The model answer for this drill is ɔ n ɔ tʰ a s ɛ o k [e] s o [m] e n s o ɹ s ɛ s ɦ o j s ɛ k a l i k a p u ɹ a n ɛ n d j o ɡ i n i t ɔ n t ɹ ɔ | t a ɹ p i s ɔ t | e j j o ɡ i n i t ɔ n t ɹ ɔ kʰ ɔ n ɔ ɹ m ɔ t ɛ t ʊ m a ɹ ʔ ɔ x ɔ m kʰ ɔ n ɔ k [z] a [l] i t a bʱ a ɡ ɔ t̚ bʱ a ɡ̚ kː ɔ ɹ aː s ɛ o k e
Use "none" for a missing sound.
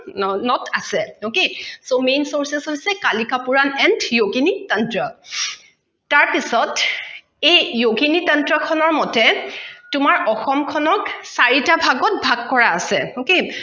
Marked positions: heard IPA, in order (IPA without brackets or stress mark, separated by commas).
e, m, s, ɹ